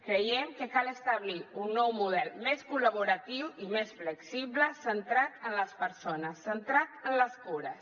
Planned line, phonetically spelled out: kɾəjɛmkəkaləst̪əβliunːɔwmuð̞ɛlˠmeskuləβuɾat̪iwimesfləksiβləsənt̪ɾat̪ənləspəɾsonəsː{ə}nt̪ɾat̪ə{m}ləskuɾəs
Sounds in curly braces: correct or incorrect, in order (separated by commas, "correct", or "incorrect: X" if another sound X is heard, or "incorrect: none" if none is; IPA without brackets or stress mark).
correct, incorrect: n